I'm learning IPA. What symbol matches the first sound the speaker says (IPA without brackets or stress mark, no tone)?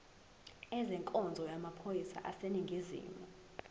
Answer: ɛ